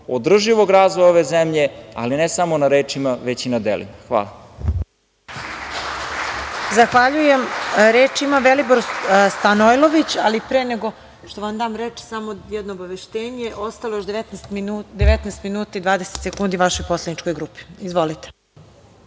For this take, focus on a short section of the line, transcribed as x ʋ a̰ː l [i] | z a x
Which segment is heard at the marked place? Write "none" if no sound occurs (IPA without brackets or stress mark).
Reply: a